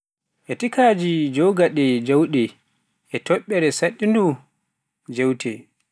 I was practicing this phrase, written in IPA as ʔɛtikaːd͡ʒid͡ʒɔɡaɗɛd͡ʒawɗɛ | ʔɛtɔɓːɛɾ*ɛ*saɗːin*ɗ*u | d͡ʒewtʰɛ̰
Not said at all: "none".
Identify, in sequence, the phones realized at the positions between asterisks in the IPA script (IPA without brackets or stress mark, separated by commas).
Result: ɛ, d